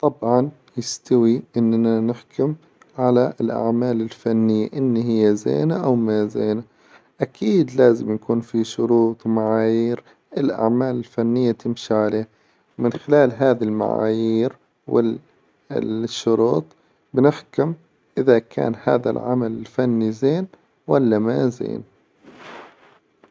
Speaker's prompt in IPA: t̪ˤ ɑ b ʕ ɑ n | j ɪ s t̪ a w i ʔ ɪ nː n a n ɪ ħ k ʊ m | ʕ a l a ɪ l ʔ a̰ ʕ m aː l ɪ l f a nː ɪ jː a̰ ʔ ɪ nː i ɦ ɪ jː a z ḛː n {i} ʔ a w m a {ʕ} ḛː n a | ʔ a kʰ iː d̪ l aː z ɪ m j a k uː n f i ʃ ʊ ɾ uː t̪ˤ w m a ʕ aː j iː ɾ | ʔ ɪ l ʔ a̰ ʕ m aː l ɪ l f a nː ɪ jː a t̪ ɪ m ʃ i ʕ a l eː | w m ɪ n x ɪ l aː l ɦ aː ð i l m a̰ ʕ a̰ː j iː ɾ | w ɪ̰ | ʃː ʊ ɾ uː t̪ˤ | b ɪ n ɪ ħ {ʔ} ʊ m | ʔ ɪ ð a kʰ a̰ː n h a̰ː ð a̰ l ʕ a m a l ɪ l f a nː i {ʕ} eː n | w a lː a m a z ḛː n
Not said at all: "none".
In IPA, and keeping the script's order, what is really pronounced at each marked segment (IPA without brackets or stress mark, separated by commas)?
a, z, k, z